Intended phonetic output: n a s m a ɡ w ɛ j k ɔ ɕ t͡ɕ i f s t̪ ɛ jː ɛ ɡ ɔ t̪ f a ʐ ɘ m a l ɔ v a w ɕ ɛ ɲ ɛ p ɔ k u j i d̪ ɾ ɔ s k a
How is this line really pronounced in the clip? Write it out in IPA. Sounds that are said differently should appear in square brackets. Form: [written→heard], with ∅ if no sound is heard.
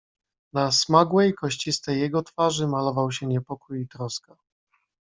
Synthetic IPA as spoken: n a s m a ɡ w ɛ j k ɔ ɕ t͡ɕ i [f→∅] s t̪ ɛ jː ɛ ɡ ɔ t̪ f a ʐ ɘ m a l ɔ v a w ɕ ɛ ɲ ɛ p ɔ k u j i [d̪→t̪] ɾ ɔ s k a